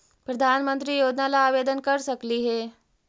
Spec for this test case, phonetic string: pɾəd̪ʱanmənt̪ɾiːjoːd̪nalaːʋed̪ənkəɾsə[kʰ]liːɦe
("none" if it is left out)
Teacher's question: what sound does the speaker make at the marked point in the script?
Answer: k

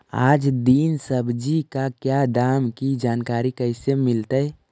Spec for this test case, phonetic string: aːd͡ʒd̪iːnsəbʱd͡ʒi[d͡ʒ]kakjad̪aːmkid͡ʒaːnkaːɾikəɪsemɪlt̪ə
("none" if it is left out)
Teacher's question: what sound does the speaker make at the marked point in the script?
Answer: none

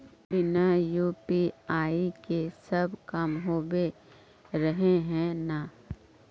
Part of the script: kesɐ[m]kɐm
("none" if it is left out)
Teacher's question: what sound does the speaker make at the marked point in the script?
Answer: b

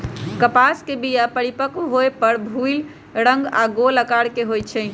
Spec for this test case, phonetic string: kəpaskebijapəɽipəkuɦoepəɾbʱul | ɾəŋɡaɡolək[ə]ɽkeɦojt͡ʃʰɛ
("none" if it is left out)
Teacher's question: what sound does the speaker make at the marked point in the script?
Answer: a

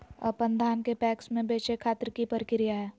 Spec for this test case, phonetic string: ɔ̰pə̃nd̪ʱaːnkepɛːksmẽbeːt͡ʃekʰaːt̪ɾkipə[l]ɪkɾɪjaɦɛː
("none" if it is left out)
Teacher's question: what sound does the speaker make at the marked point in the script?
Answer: ɾ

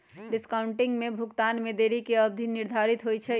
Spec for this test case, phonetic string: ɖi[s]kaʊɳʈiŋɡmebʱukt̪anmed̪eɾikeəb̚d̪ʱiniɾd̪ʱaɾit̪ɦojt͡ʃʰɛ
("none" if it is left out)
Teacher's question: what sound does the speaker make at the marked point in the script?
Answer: s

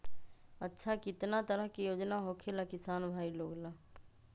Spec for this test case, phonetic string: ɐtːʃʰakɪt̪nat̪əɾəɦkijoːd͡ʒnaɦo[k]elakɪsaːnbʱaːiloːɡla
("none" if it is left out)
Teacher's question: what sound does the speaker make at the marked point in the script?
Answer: kʰ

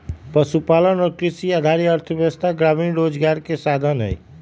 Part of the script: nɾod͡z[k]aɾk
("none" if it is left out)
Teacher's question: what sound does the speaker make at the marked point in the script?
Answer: ɡ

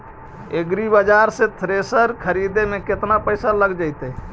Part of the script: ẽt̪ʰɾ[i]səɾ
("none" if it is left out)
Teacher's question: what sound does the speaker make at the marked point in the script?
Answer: e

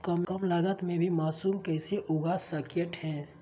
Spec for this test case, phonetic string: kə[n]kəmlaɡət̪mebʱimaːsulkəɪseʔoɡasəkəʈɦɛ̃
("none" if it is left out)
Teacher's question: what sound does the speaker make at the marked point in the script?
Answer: m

